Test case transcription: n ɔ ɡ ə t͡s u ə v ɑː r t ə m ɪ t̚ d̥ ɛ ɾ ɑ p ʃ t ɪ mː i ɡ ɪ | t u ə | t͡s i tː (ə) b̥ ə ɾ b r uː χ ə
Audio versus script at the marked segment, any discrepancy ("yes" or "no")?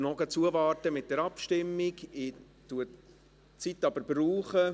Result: yes